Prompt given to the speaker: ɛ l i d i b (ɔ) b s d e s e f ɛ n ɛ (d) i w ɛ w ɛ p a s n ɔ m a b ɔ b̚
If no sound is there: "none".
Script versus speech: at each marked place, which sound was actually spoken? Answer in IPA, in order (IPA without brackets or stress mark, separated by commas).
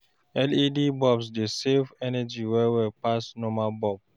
ɔ, d͡ʒ